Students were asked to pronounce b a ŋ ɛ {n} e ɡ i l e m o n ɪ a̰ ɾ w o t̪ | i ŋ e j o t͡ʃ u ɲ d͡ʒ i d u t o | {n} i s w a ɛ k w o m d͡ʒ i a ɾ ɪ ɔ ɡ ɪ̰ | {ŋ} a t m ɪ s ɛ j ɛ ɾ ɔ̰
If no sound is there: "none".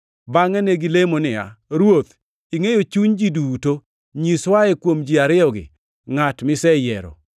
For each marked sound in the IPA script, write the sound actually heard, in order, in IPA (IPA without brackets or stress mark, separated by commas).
n, ɲ, ŋ